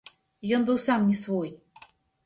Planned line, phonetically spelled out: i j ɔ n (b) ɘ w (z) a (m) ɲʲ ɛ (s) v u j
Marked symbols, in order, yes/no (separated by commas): yes, no, yes, yes